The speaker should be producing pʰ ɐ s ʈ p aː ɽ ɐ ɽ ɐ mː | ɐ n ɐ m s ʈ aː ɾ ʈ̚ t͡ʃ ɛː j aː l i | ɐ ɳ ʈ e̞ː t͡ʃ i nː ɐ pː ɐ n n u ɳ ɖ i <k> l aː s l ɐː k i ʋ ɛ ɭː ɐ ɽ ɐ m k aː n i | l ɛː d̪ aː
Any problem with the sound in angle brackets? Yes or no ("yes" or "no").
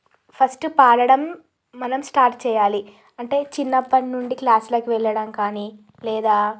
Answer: no